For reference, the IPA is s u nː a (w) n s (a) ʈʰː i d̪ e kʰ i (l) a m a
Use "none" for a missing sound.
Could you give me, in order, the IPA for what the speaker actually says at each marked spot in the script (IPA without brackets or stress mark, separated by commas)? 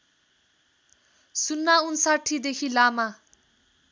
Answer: u, a, l